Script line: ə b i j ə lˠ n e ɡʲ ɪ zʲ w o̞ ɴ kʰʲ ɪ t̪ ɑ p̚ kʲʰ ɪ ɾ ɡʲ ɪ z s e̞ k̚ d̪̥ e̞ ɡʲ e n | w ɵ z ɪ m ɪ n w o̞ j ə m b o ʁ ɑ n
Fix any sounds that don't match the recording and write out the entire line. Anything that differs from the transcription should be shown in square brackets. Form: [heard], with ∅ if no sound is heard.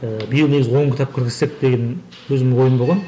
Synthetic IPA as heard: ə b i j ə lˠ n e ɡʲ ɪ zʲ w o̞ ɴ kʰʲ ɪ t̪ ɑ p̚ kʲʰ ɪ ɾ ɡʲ ɪ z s e̞ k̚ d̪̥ e̞ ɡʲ e n | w ɵ z ɪ m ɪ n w o̞ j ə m b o ʁ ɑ n